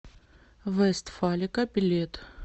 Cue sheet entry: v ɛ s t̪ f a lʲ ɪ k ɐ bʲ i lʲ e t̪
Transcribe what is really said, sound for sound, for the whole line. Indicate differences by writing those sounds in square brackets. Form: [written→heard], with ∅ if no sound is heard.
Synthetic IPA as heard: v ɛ s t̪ f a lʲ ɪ k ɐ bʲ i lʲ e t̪